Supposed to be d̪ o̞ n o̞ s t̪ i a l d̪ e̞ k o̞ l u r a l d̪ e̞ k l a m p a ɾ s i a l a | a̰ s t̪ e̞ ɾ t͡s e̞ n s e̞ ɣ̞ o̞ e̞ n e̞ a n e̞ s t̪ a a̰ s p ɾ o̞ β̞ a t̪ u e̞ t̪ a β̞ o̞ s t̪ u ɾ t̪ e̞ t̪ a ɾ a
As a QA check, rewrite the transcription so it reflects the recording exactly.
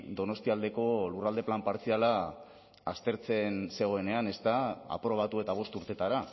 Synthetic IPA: d̪ o̞ n o̞ s t̪ i a l d̪ e̞ k o̞ l u r a l d̪ e̞ p l a m p a ɾ t͡s i a l a | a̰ s t̪ e̞ ɾ t͡s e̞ n s e̞ ɣ̞ o̞ e̞ n e̞ a n e̞ s t̪ a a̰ p ɾ o̞ β̞ a t̪ u e̞ t̪ a β̞ o̞ s t̪ u ɾ t̪ e̞ t̪ a ɾ a

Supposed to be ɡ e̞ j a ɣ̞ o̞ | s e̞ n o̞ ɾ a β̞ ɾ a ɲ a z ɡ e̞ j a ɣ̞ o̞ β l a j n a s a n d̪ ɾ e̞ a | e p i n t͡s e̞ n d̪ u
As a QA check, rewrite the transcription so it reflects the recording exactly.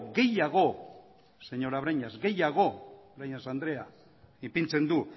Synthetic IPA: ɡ e̞ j a ɣ̞ o̞ | s e̞ ɲ o̞ ɾ a β̞ ɾ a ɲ a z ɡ e̞ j a ɣ̞ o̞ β ɾ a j ɲ a s a n d̪ ɾ e̞ a | i p i n t͡s e̞ n d̪ u

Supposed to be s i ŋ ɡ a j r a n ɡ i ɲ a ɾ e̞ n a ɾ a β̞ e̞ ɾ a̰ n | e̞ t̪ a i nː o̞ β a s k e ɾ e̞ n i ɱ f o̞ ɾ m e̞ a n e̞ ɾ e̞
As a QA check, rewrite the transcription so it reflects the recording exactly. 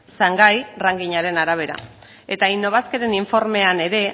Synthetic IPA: s a ŋ ɡ a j r a ŋ ɡ i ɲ a ɾ e̞ n a ɾ a β̞ e̞ ɾ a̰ | e̞ t̪ a i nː o̞ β a s k e ɾ e̞ n i ɱ f o̞ ɾ m e̞ a n e̞ ɾ e̞

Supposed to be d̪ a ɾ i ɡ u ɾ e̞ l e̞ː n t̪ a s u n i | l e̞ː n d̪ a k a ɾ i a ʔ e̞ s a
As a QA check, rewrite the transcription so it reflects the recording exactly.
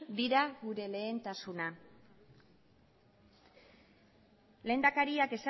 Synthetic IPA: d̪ i ɾ a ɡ u ɾ e̞ l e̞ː n t̪ a s u n a | l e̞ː n d̪ a k a ɾ i a k e̞ s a

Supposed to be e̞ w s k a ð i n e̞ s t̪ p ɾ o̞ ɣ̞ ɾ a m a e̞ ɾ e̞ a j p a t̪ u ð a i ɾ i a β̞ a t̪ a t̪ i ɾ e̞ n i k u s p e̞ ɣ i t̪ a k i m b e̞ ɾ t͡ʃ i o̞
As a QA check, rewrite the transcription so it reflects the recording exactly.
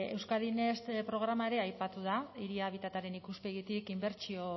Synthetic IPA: e̞ w s k a ð i n e̞ s t̪ p ɾ o̞ ɣ̞ ɾ a m a e̞ ɾ e̞ a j p a t̪ u ð a i ɾ i a β̞ i t̪ a t̪ a ɾ e̞ n i k u s p e̞ ɣ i t̪ i k i m b e̞ ɾ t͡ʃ i o̞

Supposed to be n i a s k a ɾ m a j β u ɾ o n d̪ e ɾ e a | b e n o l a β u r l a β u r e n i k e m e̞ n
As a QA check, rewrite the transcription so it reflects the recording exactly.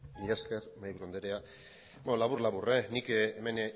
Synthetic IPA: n i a s k e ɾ m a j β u ɾ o n d̪ e ɾ e a | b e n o l a β u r l a β u r e n i k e m e̞ n

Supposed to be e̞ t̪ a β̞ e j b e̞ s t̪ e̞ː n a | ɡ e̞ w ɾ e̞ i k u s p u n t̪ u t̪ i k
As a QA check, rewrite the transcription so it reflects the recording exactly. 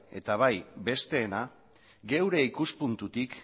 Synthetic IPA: e̞ t̪ a β̞ a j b e̞ s t̪ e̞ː n a | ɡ e̞ w ɾ e̞ i k u s p u n t̪ u t̪ i k

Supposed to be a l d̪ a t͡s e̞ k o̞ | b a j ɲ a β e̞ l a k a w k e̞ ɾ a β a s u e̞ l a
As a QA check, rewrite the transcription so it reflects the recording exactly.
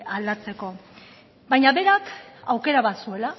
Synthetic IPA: a l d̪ a t͡s e̞ k o̞ | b a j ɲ a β e̞ ɾ a k a w k e̞ ɾ a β a s u e̞ l a

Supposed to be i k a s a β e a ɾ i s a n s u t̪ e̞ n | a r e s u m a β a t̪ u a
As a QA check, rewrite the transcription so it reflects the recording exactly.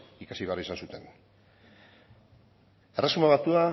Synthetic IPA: i k a s i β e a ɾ i s a n s u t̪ e̞ n | e r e s u m a β a t̪ u a

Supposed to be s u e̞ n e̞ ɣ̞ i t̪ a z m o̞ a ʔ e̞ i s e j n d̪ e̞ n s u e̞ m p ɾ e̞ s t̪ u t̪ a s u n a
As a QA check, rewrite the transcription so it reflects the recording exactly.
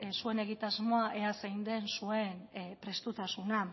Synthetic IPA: s u e̞ n e̞ ɣ̞ i t̪ a z m o̞ a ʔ e̞ a s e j n d̪ e̞ n s u e̞ n p ɾ e̞ s t̪ u t̪ a s u n a

